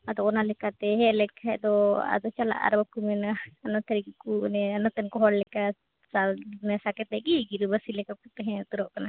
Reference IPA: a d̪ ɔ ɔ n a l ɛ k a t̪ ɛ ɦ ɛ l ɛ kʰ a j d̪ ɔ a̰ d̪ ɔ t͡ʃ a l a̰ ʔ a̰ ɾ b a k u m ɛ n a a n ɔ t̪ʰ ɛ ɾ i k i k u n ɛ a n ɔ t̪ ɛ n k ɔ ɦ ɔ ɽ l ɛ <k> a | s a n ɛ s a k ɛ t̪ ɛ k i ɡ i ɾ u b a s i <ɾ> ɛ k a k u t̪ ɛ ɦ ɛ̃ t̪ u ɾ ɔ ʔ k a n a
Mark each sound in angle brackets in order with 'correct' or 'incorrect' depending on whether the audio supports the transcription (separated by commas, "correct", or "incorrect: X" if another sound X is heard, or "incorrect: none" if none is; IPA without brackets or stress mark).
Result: correct, incorrect: l